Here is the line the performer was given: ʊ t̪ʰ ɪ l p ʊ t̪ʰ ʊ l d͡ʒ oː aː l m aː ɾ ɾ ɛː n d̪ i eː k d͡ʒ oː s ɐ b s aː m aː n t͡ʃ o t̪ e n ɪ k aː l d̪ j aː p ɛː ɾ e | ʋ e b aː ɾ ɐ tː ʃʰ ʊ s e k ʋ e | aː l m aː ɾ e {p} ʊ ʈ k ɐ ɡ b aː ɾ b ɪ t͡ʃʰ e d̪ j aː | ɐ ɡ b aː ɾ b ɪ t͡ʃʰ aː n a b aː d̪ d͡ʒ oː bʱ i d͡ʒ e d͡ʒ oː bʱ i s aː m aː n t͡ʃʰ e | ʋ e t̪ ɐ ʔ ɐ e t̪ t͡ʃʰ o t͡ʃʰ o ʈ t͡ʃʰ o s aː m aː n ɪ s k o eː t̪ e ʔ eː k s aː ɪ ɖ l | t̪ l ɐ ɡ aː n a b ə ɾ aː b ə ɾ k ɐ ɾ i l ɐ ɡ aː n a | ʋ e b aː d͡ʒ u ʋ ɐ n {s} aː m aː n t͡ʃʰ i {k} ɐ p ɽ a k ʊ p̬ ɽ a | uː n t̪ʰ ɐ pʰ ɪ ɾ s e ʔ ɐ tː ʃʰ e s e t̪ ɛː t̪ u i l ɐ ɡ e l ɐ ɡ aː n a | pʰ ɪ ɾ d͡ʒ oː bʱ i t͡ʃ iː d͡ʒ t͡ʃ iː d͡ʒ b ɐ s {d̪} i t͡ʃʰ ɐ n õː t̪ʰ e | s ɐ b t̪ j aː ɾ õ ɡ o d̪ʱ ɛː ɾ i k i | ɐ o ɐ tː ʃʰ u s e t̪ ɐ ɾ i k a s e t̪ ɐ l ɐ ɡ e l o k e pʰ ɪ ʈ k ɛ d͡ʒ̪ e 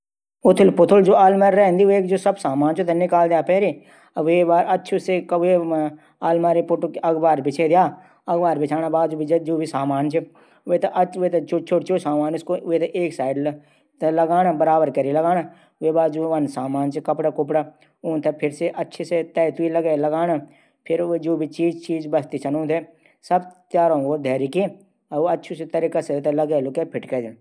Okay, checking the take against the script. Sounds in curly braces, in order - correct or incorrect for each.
correct, correct, correct, incorrect

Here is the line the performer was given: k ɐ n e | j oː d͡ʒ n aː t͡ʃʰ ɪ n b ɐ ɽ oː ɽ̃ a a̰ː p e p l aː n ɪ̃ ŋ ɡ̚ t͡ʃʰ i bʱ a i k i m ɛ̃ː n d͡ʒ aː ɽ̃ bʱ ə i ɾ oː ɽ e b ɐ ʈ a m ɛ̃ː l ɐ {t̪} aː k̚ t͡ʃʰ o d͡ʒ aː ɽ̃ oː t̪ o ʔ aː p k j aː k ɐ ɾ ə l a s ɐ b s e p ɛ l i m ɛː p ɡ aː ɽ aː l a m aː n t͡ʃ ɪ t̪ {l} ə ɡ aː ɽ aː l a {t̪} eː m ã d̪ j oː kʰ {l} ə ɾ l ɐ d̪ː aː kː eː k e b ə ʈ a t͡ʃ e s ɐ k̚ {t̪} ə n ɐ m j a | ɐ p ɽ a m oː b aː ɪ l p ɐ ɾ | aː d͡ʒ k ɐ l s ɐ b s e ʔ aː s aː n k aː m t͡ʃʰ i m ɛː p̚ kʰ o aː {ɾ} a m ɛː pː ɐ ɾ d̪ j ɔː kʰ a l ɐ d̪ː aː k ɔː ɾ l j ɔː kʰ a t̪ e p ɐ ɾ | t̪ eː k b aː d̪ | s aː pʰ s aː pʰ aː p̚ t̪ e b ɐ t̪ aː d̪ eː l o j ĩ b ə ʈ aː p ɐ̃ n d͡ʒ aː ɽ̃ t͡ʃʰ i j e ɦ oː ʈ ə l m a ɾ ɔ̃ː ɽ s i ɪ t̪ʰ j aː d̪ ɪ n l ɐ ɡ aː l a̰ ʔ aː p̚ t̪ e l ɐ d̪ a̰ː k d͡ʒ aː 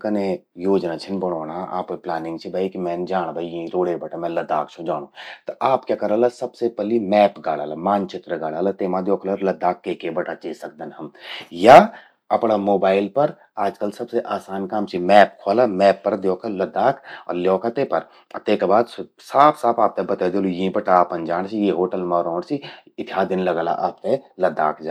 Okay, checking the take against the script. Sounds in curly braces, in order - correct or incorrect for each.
incorrect, incorrect, correct, correct, incorrect, incorrect

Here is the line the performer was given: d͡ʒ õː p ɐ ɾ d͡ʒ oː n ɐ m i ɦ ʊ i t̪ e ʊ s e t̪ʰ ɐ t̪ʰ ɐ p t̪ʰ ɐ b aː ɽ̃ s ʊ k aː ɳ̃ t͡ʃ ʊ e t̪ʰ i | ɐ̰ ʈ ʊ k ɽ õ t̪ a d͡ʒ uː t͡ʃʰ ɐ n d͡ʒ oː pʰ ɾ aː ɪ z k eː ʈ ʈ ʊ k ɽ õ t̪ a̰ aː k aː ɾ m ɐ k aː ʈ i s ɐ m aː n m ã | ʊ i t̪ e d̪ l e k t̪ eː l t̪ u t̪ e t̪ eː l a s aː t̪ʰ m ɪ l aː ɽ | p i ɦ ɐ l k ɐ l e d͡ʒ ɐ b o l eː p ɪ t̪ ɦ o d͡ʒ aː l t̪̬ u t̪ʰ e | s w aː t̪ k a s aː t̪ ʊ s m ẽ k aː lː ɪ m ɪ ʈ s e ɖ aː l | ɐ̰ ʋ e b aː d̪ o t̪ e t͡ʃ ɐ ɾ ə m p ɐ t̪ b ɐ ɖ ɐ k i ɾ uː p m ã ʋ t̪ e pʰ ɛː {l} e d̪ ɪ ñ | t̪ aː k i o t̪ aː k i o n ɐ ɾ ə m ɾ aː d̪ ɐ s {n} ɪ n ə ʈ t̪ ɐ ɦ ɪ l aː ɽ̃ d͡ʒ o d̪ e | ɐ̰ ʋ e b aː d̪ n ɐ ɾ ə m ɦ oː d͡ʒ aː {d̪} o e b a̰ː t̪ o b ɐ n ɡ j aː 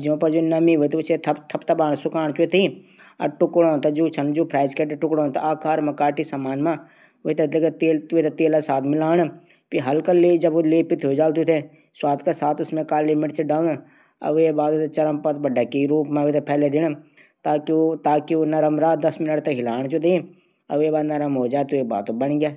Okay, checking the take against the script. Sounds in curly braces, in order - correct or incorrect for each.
correct, incorrect, incorrect

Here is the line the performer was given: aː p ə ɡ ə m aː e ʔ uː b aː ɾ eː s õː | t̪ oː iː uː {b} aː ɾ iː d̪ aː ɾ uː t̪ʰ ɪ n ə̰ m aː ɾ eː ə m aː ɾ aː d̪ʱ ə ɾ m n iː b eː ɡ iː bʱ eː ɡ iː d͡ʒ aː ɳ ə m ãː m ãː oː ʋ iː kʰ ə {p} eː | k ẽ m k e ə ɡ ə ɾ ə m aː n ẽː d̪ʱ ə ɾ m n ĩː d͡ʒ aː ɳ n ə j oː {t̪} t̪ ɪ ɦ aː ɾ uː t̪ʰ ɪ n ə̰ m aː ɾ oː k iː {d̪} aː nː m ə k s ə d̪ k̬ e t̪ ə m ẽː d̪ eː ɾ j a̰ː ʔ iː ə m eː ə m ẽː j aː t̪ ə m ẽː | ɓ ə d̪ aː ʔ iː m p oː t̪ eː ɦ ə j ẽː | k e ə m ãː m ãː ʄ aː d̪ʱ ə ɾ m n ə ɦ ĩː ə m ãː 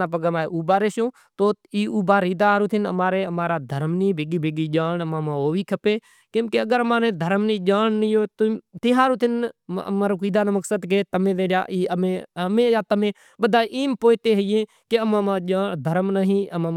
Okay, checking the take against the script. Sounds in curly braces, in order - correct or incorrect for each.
correct, correct, correct, correct

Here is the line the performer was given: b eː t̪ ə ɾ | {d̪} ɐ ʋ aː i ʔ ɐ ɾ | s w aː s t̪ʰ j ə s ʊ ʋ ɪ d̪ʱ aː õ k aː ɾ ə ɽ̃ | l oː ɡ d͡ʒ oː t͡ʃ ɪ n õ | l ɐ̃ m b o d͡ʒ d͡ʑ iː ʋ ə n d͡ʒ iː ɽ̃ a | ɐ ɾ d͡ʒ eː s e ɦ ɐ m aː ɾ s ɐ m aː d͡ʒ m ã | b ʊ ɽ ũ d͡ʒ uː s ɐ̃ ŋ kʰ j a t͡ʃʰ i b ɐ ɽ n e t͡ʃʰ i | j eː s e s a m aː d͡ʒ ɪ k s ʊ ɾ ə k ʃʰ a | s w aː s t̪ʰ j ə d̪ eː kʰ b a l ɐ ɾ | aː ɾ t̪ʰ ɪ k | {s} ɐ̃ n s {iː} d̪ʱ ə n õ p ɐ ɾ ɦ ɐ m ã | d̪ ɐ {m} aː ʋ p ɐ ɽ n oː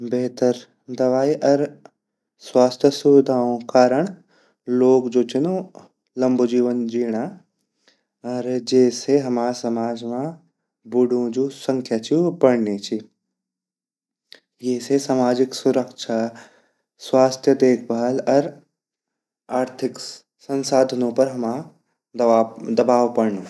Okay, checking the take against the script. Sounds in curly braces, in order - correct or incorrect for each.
correct, correct, incorrect, incorrect

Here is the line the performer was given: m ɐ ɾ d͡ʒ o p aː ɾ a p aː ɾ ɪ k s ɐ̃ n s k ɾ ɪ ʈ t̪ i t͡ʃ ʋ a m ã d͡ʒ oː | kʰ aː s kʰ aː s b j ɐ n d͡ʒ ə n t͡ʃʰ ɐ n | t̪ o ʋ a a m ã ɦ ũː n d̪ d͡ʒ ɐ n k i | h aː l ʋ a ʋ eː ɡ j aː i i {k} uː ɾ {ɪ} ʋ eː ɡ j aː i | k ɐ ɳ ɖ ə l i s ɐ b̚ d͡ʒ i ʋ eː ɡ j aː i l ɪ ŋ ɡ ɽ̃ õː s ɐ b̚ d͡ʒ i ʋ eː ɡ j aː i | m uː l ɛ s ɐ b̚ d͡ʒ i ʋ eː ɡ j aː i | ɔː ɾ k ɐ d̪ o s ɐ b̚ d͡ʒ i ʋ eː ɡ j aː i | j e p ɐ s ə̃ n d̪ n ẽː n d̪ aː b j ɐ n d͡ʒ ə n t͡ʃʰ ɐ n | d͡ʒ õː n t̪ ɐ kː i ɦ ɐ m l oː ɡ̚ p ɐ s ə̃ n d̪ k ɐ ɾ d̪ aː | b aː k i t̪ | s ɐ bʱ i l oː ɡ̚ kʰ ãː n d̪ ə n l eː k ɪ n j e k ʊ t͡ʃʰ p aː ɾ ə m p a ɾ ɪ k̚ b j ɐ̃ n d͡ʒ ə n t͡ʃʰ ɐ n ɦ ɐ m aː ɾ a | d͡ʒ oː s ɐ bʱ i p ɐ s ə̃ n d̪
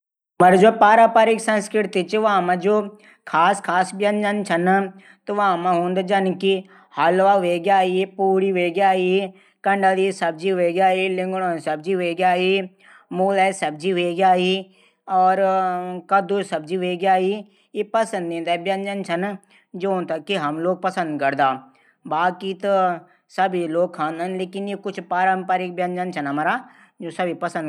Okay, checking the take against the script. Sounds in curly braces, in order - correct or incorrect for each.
incorrect, incorrect

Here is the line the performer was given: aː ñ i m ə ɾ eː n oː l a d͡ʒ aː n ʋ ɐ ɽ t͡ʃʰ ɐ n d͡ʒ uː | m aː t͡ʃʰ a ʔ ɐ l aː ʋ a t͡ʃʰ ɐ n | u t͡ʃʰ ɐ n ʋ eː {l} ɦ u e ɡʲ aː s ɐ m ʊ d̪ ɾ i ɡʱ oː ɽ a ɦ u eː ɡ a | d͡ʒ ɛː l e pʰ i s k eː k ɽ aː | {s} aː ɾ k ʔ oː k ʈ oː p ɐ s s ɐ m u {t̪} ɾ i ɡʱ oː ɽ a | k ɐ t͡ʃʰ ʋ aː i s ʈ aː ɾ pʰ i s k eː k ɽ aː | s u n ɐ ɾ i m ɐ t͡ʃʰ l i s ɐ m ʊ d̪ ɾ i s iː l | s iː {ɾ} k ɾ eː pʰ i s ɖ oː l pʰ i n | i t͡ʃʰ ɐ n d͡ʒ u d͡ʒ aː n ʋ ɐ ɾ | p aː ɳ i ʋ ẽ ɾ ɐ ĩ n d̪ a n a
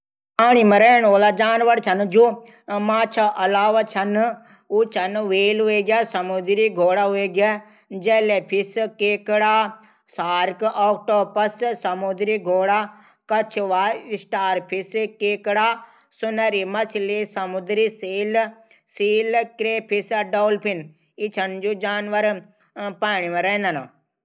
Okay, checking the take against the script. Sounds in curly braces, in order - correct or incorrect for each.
correct, correct, incorrect, incorrect

